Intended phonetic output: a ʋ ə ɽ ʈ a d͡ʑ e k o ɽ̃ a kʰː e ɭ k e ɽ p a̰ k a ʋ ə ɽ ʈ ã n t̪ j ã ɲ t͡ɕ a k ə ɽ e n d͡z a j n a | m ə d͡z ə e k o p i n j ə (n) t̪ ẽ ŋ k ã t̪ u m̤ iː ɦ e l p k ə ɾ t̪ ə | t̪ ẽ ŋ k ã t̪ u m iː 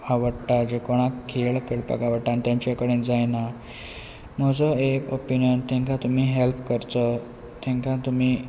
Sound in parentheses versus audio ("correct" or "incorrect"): correct